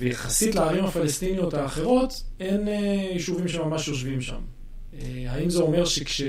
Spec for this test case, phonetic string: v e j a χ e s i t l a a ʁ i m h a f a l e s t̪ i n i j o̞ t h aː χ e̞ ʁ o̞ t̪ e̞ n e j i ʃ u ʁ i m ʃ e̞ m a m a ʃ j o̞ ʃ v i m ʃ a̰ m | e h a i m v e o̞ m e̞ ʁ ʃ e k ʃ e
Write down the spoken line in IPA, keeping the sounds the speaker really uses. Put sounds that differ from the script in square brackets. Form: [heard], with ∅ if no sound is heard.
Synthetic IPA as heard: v e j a χ [a] s i t l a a ʁ i m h a f a l e s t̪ i n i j o̞ t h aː χ e̞ ʁ o̞ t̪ e̞ n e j i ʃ u [v] i m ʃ e̞ m a m a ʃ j o̞ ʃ v i m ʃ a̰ m | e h a i m [z] e o̞ m e̞ ʁ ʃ e k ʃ e